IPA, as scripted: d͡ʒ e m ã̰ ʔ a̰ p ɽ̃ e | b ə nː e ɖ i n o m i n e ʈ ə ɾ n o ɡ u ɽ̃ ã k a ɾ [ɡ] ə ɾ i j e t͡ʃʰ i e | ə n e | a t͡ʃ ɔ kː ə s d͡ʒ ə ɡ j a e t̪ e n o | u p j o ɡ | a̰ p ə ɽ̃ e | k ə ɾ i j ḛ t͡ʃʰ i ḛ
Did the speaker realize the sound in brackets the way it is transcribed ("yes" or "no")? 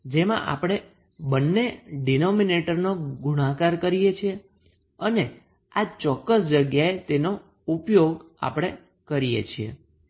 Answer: no